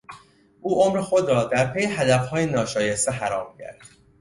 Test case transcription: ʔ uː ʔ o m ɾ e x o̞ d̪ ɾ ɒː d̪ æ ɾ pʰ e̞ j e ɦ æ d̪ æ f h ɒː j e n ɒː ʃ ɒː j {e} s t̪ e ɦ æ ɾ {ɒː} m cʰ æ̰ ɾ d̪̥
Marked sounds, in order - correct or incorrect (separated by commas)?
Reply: correct, correct